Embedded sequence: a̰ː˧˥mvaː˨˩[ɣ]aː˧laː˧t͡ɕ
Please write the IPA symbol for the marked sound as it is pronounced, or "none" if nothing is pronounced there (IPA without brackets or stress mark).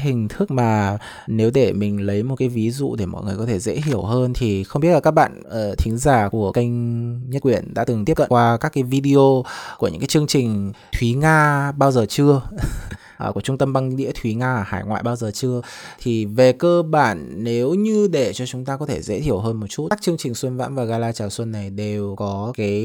ɣ